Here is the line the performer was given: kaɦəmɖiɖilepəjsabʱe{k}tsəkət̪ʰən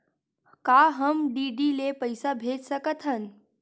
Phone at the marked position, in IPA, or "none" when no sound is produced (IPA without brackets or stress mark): none